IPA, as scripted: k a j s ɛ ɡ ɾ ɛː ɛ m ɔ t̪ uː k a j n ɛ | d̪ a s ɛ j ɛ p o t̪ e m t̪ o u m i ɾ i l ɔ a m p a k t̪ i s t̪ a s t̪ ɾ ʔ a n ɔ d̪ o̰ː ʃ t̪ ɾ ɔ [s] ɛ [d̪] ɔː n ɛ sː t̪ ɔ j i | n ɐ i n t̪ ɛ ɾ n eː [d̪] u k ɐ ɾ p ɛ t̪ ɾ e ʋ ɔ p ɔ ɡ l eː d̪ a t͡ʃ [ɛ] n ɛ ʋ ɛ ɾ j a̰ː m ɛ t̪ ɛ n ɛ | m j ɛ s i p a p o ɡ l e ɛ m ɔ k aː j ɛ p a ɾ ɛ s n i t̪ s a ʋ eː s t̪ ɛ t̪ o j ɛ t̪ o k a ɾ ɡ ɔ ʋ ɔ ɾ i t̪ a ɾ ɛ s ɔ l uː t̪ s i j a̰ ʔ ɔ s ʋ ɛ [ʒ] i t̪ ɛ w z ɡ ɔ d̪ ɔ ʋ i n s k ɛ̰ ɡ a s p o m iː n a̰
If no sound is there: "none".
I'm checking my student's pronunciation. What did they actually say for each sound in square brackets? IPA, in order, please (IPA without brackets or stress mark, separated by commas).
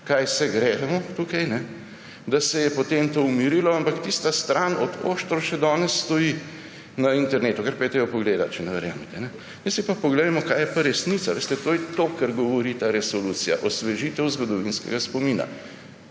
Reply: ʃ, d̪, t̪, ɛ, ʒ